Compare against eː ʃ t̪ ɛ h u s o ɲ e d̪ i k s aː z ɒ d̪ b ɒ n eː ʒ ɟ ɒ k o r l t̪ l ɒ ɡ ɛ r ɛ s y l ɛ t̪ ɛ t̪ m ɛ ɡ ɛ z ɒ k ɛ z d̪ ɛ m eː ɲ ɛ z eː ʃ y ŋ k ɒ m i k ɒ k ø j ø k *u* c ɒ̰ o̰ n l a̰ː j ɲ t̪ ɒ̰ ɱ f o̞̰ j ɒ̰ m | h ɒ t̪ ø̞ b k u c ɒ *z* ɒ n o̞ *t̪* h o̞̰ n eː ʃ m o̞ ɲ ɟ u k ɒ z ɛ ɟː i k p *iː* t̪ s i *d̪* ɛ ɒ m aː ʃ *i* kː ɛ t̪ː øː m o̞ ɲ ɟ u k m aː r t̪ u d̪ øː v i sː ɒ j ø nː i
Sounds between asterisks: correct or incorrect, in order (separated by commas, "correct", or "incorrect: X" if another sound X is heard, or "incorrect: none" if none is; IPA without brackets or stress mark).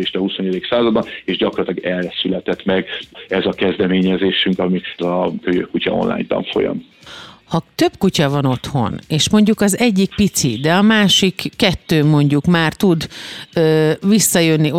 correct, incorrect: v, correct, incorrect: i, correct, correct